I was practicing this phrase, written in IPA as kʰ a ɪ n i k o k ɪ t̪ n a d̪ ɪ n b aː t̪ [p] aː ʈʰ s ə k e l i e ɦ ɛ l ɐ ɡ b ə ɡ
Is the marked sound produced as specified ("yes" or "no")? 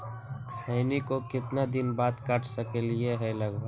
no